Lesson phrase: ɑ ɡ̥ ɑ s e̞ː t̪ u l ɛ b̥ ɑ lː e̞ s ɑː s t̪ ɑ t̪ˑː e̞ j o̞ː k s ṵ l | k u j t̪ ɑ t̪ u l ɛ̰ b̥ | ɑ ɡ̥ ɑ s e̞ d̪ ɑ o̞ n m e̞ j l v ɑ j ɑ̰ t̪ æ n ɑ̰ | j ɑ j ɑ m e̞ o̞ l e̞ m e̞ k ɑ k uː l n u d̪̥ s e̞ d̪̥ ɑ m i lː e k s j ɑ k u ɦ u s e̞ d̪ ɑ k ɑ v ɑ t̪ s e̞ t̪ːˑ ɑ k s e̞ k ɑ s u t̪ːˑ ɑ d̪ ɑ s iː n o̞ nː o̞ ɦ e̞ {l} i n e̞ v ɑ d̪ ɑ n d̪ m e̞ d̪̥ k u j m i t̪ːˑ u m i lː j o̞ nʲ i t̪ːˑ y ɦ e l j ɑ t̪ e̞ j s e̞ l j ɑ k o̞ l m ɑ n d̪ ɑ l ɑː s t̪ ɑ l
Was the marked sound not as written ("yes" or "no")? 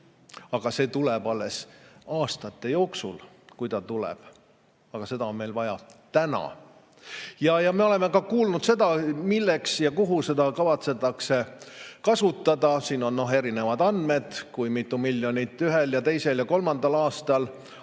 yes